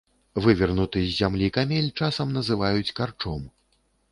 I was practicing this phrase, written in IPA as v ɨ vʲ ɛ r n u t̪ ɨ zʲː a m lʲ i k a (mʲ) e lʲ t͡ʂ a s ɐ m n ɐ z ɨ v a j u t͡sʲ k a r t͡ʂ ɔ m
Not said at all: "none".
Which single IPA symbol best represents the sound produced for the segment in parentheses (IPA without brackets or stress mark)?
mʲ